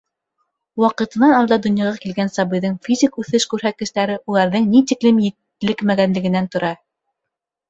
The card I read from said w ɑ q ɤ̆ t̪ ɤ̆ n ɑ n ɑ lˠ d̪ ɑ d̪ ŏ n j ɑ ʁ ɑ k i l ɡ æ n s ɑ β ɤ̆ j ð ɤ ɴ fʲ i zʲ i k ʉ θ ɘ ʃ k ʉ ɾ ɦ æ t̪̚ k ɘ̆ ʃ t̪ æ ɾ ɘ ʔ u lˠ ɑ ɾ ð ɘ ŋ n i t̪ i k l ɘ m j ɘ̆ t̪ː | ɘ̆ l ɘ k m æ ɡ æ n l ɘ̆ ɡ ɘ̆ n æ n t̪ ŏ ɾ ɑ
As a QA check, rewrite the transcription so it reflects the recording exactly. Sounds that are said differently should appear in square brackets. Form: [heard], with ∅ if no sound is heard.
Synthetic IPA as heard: w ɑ q ɤ̆ t̪ ɤ̆ n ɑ n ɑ lˠ d̪ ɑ d̪ ŏ n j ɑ ʁ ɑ k i l ɡ æ n s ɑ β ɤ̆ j ð ɤ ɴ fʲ i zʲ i k ʉ θ ɘ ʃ k ʉ ɾ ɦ æ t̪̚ k ɘ̆ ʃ t̪ æ ɾ ɘ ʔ u lˠ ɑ ɾ ð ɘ ŋ n i t̪ i k l ɘ m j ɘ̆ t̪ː | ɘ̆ l ɘ k m æ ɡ æ n l ɘ̆ ɡ ɘ̆ n æ n t̪ ŏ ɾ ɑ